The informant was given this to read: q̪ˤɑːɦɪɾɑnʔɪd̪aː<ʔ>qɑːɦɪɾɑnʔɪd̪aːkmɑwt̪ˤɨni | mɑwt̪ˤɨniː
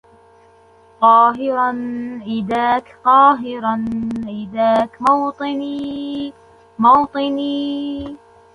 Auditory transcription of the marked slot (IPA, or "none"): k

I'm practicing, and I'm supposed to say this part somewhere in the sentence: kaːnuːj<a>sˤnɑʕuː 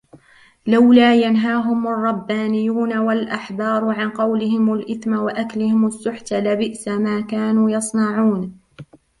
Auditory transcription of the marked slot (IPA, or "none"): ɑ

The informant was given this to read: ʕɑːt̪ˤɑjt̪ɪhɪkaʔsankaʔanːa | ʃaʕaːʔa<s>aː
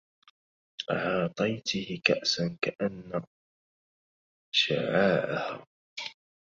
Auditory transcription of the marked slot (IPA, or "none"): h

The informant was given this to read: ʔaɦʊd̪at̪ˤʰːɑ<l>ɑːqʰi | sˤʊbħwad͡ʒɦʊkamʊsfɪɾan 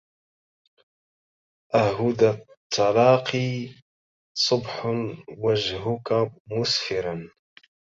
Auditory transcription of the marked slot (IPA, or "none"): l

